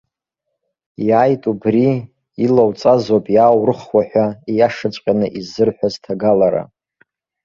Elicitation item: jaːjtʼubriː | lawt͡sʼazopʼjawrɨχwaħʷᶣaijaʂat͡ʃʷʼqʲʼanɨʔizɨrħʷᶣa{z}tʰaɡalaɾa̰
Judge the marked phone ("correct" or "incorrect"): correct